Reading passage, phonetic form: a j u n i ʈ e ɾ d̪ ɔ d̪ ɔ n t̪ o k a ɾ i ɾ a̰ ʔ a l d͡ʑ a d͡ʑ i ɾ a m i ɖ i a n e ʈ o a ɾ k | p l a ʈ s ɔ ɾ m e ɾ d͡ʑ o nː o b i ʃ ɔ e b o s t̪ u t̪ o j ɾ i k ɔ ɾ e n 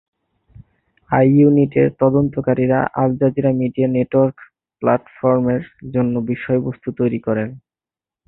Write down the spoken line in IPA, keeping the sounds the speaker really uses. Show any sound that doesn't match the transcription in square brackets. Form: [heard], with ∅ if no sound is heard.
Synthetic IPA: a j u n i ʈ e ɾ [t̪] ɔ d̪ [o] n t̪ o k a ɾ i ɾ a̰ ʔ a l d͡ʑ a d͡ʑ i ɾ a m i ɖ i a n e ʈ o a ɾ k | p l a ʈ [f] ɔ ɾ m e ɾ d͡ʑ o nː o b i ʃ ɔ e b o s t̪ u t̪ o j ɾ i k ɔ ɾ e n